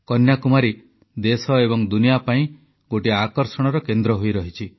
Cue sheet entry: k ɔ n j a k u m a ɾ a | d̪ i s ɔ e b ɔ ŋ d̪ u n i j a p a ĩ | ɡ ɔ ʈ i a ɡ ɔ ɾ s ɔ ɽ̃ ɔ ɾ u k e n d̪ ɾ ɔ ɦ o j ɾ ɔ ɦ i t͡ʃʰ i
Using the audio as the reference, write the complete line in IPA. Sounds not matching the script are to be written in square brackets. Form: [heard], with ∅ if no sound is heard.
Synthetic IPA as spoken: k ɔ n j a k u m a ɾ [i] | d̪ [e] s ɔ e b ɔ ŋ d̪ u n i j a p a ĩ | ɡ [o] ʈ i a [k] ɔ ɾ s ɔ ɽ̃ ɔ ɾ [ɔ] k e n d̪ ɾ ɔ ɦ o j ɾ ɔ ɦ i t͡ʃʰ i

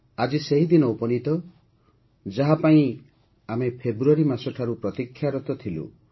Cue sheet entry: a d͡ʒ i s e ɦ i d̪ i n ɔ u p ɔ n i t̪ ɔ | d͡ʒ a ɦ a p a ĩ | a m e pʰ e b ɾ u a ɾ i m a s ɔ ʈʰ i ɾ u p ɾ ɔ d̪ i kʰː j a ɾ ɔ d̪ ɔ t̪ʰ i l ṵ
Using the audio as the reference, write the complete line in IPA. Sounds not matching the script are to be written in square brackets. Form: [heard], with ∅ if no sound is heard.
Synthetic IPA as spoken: a d͡ʒ i s e ɦ i d̪ i n ɔ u p ɔ n i t̪ ɔ | d͡ʒ a ɦ a p a ĩ | a m e pʰ e b ɾ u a ɾ i m a s ɔ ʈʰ [a] ɾ u p ɾ ɔ [t̪] i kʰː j a ɾ ɔ [t̪] ɔ t̪ʰ i l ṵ

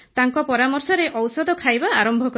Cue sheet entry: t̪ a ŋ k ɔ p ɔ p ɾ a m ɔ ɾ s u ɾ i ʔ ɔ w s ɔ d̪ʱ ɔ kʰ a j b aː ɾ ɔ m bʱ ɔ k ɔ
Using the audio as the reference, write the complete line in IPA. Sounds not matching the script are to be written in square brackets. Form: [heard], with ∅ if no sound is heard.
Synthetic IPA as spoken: t̪ a ŋ k ɔ p ɔ [∅] ɾ a m ɔ ɾ s [ɔ] ɾ [e] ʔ ɔ w s ɔ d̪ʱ ɔ kʰ a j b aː ɾ ɔ m bʱ ɔ k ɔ

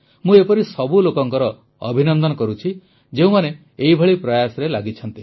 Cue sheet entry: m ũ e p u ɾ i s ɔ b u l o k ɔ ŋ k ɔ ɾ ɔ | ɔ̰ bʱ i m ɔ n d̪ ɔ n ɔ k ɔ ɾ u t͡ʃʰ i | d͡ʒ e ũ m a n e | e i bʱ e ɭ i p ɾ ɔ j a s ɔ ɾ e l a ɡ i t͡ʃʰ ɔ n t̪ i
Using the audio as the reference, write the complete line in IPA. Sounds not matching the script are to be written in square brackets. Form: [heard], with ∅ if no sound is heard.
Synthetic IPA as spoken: m ũ e p [ɔ] ɾ i s ɔ b u l o k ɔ ŋ k ɔ ɾ ɔ | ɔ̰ bʱ i [n] ɔ n d̪ ɔ n ɔ k ɔ ɾ u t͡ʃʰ i | d͡ʒ e ũ m a n e | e i bʱ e ɭ i p ɾ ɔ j a s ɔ ɾ e l a ɡ i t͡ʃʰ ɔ n t̪ i

